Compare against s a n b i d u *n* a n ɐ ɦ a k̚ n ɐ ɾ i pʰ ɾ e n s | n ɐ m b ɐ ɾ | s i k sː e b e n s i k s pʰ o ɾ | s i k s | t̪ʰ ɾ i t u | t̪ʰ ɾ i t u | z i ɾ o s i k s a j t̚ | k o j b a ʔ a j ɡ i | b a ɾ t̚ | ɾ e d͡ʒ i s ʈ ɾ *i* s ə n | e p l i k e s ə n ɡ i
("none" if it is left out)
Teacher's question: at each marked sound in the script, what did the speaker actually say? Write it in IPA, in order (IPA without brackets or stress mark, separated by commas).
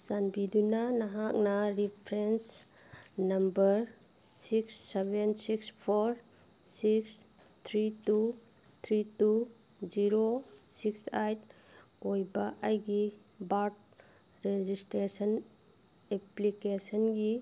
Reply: n, e